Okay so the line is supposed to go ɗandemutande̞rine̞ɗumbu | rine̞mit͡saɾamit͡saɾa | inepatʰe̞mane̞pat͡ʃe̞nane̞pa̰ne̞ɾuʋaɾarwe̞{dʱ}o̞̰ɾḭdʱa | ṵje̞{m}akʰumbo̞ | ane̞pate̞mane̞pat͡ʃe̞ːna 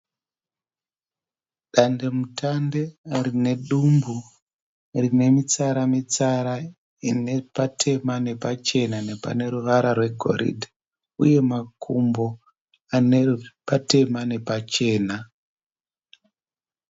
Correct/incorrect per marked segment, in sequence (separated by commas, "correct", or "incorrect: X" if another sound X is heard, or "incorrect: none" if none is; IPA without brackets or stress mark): incorrect: ɡʱ, correct